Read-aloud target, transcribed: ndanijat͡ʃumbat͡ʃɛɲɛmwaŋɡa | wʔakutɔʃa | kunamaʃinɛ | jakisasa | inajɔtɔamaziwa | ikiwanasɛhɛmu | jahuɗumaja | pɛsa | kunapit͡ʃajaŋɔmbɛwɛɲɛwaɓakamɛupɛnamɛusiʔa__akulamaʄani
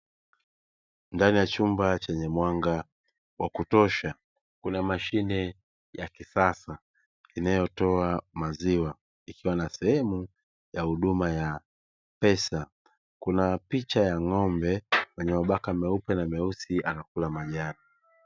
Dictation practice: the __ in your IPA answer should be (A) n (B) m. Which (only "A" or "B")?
A